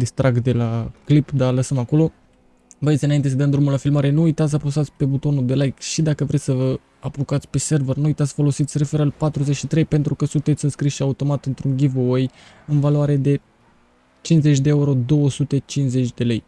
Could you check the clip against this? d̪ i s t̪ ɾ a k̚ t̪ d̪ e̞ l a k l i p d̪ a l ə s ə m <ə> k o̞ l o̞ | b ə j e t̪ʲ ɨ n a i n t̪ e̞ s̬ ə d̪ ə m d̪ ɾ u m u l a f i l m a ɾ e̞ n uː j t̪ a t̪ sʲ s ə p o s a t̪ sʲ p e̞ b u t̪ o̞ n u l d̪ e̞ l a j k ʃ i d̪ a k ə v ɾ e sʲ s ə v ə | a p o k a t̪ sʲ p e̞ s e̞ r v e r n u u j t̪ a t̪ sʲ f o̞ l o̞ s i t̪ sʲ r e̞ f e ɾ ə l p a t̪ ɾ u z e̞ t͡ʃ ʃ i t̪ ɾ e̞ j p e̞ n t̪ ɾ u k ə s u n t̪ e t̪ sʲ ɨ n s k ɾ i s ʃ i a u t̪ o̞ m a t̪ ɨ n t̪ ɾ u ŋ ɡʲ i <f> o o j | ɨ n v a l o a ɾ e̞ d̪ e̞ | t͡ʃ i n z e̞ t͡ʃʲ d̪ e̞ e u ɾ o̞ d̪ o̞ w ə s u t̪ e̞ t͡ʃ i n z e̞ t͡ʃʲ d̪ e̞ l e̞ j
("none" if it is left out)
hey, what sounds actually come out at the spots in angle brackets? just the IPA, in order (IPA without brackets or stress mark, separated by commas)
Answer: a, v